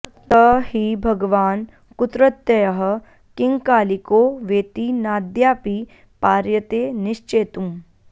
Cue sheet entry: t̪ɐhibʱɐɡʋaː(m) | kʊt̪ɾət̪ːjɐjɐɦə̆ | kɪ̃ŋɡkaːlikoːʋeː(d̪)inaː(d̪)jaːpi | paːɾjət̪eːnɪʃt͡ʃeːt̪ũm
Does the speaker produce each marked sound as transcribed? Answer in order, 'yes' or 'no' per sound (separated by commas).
no, no, yes